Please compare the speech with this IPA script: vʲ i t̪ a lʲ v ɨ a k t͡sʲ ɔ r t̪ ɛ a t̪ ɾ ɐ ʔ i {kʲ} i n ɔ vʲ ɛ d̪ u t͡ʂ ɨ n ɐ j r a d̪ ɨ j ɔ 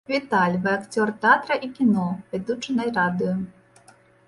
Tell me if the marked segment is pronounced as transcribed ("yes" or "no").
yes